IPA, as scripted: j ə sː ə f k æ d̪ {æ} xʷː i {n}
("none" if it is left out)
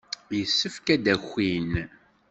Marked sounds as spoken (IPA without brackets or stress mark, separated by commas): æ, n